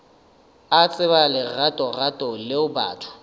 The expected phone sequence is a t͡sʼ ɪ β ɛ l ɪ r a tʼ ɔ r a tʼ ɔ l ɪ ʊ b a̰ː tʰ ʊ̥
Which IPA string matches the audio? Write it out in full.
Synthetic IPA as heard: a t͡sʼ ɪ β a l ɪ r a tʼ ɔ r a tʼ ɔ l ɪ ʊ b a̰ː tʰ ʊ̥